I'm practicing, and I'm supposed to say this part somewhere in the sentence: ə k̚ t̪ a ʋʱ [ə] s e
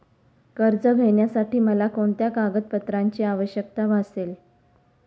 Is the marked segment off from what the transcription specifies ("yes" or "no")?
yes